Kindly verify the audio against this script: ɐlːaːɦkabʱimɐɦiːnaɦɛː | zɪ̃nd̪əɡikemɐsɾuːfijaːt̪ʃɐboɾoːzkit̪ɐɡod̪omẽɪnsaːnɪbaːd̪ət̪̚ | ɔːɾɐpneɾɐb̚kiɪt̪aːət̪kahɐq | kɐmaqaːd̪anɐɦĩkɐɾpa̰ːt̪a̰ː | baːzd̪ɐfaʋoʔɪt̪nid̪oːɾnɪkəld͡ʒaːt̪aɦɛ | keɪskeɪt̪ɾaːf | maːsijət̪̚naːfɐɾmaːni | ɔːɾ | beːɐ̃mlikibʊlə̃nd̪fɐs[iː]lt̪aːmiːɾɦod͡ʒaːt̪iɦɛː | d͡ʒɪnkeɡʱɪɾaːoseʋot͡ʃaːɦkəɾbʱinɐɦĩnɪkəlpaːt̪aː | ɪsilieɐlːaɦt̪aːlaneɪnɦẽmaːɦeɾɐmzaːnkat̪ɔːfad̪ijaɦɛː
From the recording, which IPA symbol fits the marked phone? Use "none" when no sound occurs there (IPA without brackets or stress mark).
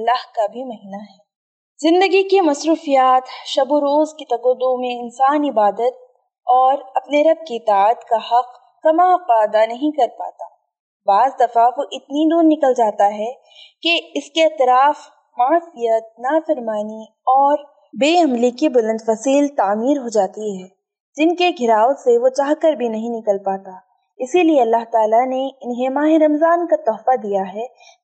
iː